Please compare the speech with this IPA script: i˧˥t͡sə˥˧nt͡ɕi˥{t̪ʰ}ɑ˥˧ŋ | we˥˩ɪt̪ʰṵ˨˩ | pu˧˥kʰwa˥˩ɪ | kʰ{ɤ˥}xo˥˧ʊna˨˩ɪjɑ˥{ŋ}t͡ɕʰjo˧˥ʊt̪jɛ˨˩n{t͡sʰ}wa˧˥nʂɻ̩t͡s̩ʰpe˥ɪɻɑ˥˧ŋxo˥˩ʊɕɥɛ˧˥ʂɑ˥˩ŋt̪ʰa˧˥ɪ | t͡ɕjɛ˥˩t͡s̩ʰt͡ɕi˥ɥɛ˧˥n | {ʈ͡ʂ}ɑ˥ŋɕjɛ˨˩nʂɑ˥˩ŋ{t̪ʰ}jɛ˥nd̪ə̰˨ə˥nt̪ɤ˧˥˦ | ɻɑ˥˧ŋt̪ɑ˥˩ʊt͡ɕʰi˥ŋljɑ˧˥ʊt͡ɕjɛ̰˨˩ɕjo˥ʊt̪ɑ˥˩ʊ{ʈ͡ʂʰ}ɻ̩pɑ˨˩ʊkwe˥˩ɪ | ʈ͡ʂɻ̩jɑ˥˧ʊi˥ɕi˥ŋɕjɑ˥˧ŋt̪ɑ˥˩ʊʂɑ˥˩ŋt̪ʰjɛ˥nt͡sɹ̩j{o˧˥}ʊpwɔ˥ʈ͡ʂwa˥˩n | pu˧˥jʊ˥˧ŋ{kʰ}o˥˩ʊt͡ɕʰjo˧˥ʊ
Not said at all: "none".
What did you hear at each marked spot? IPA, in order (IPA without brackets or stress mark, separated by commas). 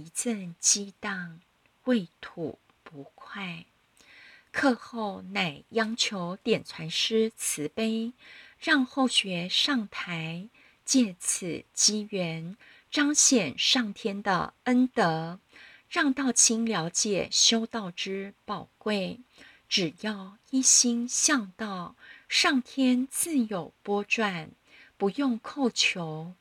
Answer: t̪, ɤ˥˧, ŋ, t͡sʰ, ʈ͡ʂ, t̪ʰ, ʈ͡ʂ, o˨˩, kʰ